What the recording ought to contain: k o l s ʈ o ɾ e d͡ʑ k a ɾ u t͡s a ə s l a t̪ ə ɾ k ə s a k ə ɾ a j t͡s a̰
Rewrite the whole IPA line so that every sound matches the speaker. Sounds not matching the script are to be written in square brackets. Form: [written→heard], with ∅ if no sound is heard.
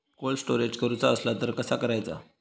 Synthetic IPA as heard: k o l s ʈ o ɾ e d͡ʑ k [a→ə] ɾ u t͡s a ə s l a t̪ ə ɾ k ə s a k ə ɾ a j t͡s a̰